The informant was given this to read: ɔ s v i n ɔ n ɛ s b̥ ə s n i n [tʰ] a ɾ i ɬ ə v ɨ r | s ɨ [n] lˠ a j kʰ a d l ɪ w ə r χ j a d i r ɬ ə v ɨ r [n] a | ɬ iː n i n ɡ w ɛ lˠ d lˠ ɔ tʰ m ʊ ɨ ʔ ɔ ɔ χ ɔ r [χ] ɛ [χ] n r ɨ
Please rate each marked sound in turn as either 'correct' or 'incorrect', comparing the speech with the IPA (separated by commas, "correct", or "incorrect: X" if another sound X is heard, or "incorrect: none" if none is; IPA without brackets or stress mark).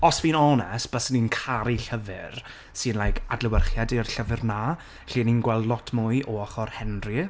incorrect: kʰ, correct, correct, incorrect: h, incorrect: none